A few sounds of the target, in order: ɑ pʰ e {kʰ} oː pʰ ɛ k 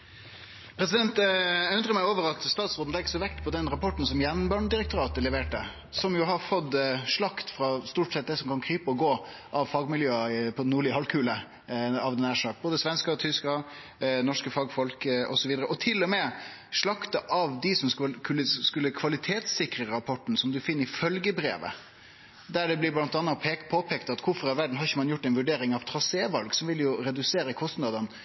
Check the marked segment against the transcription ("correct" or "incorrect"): incorrect